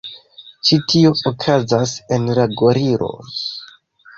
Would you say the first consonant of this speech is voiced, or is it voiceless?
voiceless